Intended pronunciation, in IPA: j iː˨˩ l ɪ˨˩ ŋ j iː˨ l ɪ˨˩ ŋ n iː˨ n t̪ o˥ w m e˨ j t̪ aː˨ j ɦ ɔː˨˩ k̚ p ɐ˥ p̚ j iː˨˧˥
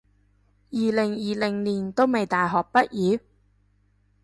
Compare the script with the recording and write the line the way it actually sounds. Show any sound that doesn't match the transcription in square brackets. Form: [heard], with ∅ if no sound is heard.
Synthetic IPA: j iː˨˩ l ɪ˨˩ ŋ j iː˨ l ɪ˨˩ ŋ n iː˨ n t̪ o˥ w m e˨ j t̪ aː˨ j ɦ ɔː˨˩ k̚ p ɐ˥ [t̚] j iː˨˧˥